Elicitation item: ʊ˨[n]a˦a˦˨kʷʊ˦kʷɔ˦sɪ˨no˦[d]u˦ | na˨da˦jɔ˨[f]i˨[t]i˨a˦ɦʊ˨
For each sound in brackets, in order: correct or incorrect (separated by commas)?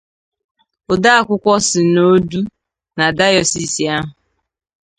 incorrect, correct, incorrect, incorrect